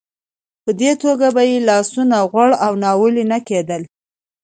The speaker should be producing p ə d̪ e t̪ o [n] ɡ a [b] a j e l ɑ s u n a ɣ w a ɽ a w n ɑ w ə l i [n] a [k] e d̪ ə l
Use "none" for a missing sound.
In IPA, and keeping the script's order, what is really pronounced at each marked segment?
none, b, n, k

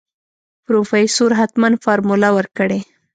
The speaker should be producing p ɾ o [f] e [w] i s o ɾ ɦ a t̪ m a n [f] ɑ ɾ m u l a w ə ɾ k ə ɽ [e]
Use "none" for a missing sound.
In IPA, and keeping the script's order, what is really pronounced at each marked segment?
f, none, f, e

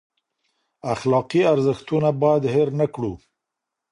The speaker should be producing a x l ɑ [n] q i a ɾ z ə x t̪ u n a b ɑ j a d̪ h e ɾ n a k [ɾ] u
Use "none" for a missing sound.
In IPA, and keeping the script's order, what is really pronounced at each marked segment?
none, ɽ

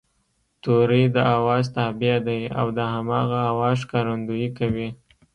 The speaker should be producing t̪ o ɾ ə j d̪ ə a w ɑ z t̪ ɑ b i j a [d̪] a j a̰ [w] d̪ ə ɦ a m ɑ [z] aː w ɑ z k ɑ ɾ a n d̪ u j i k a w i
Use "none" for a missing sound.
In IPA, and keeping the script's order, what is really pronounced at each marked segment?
d̪, w, ɣ

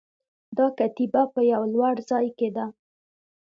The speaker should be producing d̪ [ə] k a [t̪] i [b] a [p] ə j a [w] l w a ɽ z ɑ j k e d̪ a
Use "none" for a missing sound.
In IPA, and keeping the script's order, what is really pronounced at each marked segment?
ɑ, t̪, b, p, w

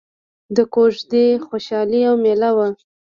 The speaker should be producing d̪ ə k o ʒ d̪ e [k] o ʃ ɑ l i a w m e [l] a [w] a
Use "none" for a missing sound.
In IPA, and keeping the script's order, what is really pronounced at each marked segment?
x, l, w

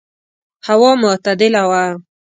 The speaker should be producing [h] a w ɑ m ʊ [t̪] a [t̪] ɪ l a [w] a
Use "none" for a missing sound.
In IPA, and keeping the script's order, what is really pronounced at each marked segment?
h, t̪, d̪, w

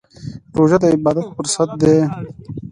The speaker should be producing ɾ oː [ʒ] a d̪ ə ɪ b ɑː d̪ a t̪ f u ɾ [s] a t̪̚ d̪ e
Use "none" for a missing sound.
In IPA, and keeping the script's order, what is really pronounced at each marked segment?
ʒ, s

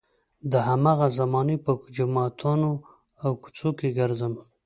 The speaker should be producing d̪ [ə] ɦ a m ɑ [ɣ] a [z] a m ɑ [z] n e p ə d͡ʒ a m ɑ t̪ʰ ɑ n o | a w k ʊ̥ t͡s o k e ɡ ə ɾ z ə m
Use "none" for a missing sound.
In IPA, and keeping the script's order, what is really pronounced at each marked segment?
ə, ɣ, z, none

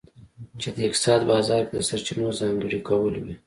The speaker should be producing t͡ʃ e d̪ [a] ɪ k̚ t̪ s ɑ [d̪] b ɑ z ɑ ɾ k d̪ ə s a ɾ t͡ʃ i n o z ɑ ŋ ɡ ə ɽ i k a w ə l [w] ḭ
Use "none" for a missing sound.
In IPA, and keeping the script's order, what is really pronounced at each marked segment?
ə, d̪, w

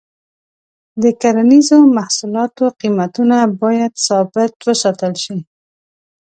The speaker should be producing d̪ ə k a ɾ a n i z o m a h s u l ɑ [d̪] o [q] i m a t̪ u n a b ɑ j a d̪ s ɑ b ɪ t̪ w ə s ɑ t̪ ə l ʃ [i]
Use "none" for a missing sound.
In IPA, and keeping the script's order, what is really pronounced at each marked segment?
t̪, q, i

